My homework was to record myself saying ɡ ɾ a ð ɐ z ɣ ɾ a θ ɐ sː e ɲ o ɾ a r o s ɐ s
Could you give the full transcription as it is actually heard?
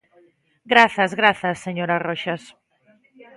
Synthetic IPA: ɡ ɾ a θ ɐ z ɣ ɾ a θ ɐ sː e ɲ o ɾ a r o ʃ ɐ s